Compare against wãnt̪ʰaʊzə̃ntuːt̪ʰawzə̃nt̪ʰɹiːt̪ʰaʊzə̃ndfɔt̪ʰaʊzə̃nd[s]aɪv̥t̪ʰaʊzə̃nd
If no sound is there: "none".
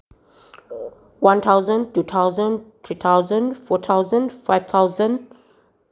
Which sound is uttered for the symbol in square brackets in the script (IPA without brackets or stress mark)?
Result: f